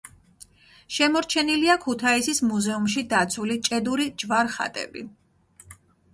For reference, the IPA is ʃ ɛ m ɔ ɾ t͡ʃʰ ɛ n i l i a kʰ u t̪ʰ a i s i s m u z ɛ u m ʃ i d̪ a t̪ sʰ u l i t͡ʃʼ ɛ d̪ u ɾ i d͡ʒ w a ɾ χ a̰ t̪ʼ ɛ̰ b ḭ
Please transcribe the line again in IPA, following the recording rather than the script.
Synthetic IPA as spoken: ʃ ɛ m ɔ ɾ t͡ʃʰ ɛ n i l i a kʰ u t̪ʰ a i s i s m u z ɛ u m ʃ i d̪ a t̪ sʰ u l i t͡ʃʼ ɛ d̪ u ɾ i d͡ʒ v a ɾ χ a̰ t̪ʼ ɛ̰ b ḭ

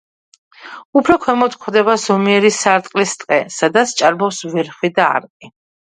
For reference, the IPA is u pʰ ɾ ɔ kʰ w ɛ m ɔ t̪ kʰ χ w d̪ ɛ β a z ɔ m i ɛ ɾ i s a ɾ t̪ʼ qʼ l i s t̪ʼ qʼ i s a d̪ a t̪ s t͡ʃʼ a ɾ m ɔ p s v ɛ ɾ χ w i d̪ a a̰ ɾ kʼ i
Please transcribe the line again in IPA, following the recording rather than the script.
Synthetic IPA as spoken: u pʰ ɾ ɔ kʰ w ɛ m ɔ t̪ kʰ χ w d̪ ɛ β a z ɔ m i ɛ ɾ i s a ɾ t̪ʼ qʼ l i s t̪ʼ qʼ ɛ s a d̪ a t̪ s t͡ʃʼ a ɾ b ɔ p s v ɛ ɾ χ w i d̪ a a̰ ɾ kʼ i

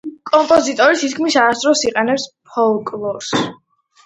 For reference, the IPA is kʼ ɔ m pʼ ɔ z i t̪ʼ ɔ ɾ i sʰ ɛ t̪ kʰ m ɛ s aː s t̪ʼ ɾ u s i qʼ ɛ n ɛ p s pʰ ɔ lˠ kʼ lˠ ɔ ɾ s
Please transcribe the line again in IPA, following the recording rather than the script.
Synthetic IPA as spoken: kʼ ɔ m pʼ ɔ z i t̪ʼ ɔ ɾ i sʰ i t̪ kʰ m i s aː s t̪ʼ ɾ ɔ s i qʼ ɛ n ɛ p s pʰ ɔ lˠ kʼ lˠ ɔ ɾ s

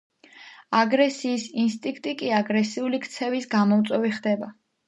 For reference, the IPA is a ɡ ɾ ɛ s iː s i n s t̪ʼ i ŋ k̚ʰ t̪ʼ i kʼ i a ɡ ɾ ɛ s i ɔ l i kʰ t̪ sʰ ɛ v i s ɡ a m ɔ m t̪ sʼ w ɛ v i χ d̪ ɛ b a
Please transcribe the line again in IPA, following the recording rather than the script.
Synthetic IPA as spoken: a ɡ ɾ ɛ s iː s i n s t̪ʼ i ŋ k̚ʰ t̪ʼ i kʼ i a ɡ ɾ ɛ s i u l i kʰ t̪ sʰ ɛ v i s ɡ a m ɔ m t̪ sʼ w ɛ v i χ d̪ ɛ b a

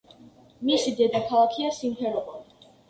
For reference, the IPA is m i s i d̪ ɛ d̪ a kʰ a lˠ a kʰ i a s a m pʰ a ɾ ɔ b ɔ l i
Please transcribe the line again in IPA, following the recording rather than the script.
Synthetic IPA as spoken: m i s i d̪ ɛ d̪ a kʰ a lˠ a kʰ i a s i m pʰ ɛ ɾ ɔ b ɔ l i

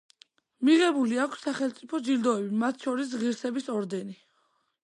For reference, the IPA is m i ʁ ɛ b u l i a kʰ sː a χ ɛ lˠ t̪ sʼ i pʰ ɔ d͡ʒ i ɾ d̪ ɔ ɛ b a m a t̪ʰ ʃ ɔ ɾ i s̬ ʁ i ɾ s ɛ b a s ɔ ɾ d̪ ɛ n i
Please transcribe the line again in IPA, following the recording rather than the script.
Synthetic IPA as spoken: m i ʁ ɛ b u l i a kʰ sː a χ ɛ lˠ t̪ sʼ i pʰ ɔ d͡ʒ i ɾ d̪ ɔ ɛ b i m a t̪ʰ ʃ ɔ ɾ i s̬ ʁ i ɾ s ɛ b i s ɔ ɾ d̪ ɛ n i

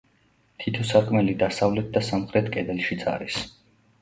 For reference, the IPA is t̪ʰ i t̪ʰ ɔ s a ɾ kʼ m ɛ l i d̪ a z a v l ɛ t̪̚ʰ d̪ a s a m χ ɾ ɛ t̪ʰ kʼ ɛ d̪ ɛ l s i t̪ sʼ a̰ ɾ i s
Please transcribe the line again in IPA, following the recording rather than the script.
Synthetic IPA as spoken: t̪ʰ i t̪ʰ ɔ s a ɾ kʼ m ɛ l i d̪ a s a v l ɛ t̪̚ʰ d̪ a s a m χ ɾ ɛ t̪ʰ kʼ ɛ d̪ ɛ l ʃ i t̪ sʼ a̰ ɾ i s

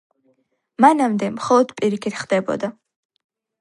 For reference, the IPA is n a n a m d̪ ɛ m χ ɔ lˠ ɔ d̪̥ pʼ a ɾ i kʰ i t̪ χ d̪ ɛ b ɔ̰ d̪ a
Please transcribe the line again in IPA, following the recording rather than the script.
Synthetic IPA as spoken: m a n a m d̪ ɛ m χ ɔ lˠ ɔ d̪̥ pʼ i ɾ i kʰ i t̪ χ d̪ ɛ b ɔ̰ d̪ a

